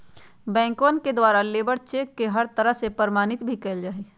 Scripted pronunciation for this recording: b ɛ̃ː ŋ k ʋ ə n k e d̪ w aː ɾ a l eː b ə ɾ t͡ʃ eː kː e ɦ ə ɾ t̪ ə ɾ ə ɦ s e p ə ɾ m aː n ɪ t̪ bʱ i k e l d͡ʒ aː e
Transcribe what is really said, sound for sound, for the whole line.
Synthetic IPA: b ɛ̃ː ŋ k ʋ ə n k e d̪ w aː ɾ a l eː b ə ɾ t͡ʃ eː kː e ɦ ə ɾ t̪ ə ɾ ə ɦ s e p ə ɾ m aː n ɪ t̪ bʱ i k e l d͡ʒ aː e